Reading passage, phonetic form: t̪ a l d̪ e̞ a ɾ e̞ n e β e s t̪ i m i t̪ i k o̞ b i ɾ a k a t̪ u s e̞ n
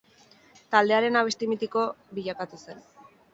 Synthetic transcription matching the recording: t̪ a l d̪ e̞ a ɾ e̞ n a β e s t̪ i m i t̪ i k o̞ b i ʎ a k a t̪ u s e̞ n